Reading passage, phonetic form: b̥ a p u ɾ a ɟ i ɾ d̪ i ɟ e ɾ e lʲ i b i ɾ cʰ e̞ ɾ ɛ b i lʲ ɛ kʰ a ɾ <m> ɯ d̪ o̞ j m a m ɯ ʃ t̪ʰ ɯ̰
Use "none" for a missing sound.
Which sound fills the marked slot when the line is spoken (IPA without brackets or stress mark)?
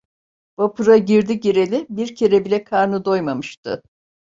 n